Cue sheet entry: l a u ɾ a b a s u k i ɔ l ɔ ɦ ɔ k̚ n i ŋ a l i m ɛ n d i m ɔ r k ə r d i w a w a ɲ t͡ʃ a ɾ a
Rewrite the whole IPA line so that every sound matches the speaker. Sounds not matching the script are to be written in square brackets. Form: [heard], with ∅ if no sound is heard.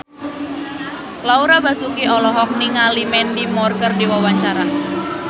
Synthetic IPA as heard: l a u ɾ a b a s u k i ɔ l ɔ ɦ ɔ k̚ n i ŋ a l i m ɛ n d i m ɔ r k ə r d i w a w a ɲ t͡ʃ a ɾ a